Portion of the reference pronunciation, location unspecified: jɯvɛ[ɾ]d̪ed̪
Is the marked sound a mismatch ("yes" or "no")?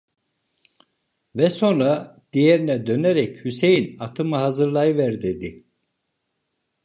no